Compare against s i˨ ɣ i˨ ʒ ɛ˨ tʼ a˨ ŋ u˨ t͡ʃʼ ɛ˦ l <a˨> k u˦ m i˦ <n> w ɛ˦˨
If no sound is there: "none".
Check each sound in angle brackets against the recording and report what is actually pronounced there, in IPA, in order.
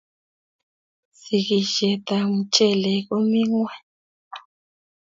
ɛ˨, ŋ

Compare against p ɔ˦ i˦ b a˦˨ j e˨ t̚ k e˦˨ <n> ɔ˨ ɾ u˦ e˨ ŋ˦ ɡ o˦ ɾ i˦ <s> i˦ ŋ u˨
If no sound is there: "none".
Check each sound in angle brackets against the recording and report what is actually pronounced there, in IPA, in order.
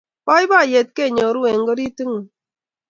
ɲ, t

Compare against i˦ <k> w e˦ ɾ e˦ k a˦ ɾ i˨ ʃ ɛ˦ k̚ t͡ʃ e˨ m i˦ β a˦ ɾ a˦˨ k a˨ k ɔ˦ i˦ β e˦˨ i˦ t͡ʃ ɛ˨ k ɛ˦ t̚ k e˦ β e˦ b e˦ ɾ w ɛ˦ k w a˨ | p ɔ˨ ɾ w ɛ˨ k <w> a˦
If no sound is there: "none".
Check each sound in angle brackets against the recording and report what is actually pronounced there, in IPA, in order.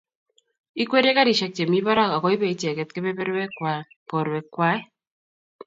k, w

